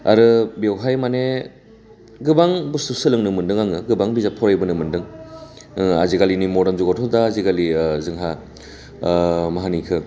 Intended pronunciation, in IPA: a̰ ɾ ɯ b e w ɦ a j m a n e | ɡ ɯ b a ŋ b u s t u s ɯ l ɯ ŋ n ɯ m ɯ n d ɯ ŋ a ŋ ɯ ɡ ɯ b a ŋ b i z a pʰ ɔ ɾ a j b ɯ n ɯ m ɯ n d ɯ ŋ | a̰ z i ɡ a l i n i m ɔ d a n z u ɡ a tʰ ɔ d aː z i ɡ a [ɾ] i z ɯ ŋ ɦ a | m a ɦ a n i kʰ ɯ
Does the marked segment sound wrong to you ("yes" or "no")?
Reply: yes